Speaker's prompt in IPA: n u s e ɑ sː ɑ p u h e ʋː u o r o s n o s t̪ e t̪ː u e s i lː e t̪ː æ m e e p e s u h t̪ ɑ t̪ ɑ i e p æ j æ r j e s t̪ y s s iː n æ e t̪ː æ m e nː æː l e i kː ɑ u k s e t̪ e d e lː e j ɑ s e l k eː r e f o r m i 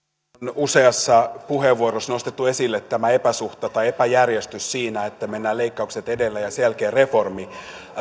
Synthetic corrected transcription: n u s e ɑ sː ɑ p u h e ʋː u o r o s n o s t̪ e t̪ː u e s i lː e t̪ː æ m æ e p æ s u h t̪ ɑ t̪ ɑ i e p æ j æ r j e s t̪ y s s iː n æ e t̪ː æ m e nː æː l e i kː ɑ u k s e t̪ e d e lː æ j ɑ s e l k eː r e f o r m i